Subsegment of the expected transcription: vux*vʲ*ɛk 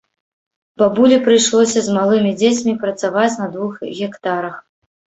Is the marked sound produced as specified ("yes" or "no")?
no